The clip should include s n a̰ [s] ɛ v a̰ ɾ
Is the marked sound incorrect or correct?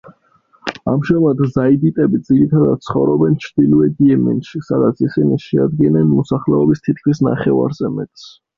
incorrect